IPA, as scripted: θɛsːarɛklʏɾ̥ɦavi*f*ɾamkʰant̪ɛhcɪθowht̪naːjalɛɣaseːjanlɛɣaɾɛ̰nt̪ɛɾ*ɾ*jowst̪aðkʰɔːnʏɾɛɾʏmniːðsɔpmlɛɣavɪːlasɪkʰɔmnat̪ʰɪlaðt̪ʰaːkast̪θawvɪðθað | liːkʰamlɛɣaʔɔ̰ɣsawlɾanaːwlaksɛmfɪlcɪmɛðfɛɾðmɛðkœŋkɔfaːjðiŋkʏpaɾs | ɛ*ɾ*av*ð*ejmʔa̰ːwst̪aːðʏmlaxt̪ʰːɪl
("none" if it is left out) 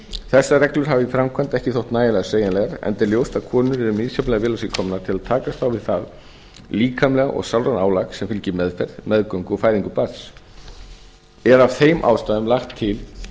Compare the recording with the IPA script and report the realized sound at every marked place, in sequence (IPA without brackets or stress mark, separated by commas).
f, l, ɾ, θ